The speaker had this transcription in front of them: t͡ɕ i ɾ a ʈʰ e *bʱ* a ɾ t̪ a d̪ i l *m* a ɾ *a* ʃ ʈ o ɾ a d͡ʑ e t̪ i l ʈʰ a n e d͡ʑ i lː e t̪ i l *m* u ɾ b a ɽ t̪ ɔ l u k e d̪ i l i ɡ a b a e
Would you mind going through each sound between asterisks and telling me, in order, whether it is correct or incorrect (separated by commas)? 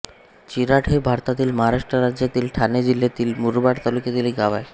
correct, correct, correct, correct